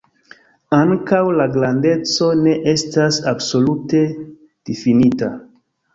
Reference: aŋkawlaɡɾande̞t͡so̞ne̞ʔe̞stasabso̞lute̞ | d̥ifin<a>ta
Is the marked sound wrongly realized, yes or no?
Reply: yes